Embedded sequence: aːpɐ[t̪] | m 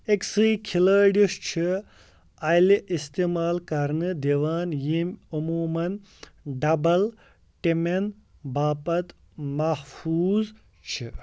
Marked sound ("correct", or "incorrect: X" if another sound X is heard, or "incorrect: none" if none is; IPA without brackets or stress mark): correct